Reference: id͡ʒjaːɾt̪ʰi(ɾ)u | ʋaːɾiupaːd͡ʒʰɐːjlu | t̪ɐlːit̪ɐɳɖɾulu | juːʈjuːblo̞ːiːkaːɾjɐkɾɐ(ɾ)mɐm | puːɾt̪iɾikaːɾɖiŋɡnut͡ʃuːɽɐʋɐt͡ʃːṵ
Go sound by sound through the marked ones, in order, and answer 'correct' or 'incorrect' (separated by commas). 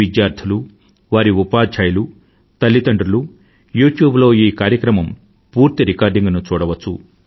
incorrect, incorrect